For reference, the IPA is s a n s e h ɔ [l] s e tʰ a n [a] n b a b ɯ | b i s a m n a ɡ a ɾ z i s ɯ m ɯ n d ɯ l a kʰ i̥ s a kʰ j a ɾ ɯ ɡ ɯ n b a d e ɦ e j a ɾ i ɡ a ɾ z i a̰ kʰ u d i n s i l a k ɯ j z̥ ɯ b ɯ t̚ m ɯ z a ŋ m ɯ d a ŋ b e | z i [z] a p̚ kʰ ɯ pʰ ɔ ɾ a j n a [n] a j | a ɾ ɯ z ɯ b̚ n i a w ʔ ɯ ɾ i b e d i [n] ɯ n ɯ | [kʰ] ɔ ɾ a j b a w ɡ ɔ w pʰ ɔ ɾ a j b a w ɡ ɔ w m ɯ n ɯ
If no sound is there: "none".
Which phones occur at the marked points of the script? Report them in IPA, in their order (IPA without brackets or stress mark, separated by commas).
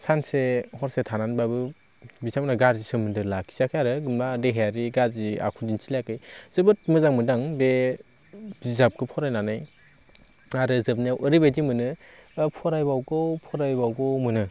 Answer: ɾ, a, z, n, m, pʰ